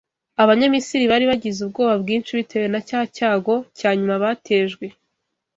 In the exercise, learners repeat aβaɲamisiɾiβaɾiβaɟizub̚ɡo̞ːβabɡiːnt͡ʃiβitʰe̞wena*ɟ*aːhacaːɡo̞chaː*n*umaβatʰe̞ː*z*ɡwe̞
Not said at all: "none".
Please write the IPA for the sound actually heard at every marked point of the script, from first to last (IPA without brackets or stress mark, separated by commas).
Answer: c, ɲ, ʒ